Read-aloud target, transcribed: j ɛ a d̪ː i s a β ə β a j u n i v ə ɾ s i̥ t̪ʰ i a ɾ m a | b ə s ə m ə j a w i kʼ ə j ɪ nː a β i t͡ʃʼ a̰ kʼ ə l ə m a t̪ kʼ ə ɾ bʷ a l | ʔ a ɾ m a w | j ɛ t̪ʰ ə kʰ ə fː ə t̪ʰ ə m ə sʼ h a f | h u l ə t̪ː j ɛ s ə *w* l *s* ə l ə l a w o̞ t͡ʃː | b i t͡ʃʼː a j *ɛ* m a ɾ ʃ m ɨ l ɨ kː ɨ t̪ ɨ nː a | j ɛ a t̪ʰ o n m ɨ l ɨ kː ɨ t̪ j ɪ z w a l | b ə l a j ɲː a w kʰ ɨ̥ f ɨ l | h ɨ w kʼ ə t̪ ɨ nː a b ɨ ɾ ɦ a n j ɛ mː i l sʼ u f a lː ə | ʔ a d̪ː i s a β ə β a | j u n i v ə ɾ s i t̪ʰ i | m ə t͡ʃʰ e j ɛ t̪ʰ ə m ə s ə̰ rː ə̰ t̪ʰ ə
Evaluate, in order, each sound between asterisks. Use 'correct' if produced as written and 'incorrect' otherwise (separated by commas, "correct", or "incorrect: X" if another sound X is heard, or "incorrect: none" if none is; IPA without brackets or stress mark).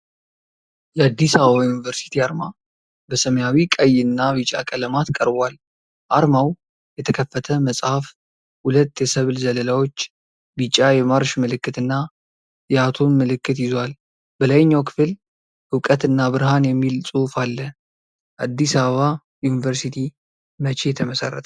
incorrect: β, incorrect: z, correct